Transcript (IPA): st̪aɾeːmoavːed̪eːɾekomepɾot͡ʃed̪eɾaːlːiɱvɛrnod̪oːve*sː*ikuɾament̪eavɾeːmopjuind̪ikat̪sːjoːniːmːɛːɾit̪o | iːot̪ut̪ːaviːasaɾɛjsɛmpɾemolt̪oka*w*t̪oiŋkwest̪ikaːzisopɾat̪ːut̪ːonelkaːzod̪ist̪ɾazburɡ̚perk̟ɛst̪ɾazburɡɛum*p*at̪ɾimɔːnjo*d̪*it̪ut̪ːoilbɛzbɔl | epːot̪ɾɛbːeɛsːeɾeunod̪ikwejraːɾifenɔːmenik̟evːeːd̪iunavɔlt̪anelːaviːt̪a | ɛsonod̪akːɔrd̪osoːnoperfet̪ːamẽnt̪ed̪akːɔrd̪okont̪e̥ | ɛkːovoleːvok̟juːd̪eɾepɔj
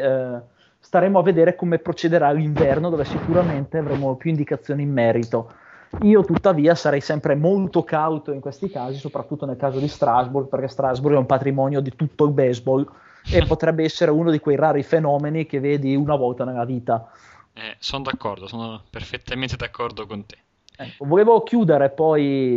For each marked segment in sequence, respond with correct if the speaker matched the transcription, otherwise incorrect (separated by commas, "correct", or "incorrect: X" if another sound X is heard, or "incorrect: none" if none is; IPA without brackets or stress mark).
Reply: incorrect: s, correct, correct, correct